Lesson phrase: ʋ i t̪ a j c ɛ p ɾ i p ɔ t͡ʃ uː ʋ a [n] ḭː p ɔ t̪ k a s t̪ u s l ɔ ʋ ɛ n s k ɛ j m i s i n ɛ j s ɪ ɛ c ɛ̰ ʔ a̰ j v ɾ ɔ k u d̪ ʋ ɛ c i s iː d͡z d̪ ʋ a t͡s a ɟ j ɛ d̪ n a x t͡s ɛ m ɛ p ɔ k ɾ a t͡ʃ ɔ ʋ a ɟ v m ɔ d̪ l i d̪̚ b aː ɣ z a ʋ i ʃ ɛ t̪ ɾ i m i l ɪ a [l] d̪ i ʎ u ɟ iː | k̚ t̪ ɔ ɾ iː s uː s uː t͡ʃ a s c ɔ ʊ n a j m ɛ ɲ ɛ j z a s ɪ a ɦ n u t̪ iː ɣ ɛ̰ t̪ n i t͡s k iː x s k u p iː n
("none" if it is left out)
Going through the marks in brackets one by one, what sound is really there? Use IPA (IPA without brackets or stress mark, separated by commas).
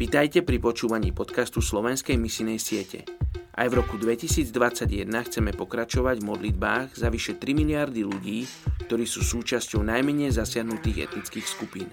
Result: ɲ, ɾ